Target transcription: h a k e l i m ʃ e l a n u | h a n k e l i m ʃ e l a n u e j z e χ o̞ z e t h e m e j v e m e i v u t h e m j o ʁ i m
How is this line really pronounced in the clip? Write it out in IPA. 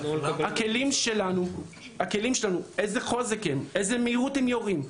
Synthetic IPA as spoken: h a k e l i m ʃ e l a n u | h a k e l i m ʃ e l a n u e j z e χ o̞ z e k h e m e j z e m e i ʁ u t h e m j o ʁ i m